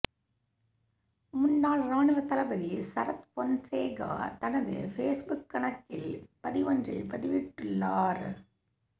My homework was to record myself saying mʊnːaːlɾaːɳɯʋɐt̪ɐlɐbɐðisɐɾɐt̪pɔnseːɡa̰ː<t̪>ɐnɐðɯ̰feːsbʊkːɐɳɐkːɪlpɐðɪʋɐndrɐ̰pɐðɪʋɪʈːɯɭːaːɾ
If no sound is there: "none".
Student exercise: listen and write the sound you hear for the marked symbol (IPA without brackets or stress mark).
t̪